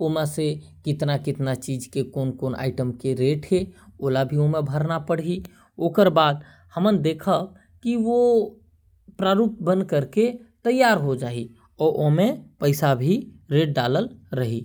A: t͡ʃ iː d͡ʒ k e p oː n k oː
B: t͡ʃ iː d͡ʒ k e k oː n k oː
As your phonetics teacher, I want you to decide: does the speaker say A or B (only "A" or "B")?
B